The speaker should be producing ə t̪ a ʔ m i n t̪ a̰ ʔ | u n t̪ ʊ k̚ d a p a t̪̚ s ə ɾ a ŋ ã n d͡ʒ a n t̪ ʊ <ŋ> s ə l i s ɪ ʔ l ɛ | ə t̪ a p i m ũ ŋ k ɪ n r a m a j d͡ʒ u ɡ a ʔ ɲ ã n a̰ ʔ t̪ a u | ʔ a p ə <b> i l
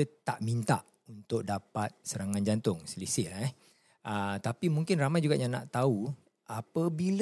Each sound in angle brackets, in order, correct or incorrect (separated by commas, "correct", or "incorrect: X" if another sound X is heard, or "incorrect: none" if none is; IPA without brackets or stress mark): correct, correct